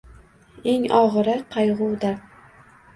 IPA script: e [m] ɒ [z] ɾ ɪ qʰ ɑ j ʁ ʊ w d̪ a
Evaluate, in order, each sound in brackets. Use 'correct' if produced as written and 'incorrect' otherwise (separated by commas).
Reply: incorrect, incorrect